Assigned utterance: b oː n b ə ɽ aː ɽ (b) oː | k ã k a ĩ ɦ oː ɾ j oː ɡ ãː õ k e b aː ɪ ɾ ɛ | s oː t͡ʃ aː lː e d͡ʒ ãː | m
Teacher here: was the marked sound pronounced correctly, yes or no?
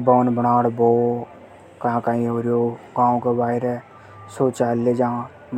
yes